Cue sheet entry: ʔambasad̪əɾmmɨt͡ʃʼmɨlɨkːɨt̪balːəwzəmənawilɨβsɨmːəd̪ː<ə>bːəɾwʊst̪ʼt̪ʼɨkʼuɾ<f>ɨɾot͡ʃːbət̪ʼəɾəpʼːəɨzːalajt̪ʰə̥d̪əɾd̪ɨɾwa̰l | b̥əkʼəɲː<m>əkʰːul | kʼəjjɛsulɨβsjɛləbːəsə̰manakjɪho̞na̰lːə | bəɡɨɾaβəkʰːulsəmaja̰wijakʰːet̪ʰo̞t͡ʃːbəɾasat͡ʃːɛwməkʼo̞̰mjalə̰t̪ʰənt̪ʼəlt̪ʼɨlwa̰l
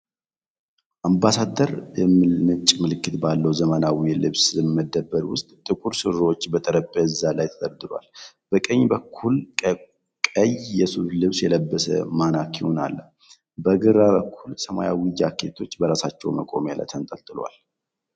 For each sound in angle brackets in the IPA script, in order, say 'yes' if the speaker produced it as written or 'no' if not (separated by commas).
yes, no, no